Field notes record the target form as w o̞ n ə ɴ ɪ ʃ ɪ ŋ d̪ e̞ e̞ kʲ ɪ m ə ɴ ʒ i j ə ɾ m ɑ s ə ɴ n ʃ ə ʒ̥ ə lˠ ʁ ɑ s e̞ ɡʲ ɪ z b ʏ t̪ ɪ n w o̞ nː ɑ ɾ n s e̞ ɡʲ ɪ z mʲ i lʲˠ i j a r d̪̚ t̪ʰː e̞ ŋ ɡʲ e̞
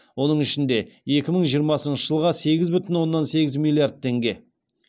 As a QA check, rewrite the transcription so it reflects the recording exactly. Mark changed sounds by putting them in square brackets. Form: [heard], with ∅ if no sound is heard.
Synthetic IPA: w o̞ n ə ɴ ɪ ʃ ɪ [n] d̪ e̞ e̞ kʲ ɪ m ə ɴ ʒ i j ə ɾ m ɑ s ə [∅] n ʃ ə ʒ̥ ə lˠ ʁ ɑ s e̞ ɡʲ ɪ z b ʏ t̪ ɪ n w o̞ nː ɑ [∅] n s e̞ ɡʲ ɪ z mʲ i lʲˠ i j a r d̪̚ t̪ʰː e̞ ŋ ɡʲ e̞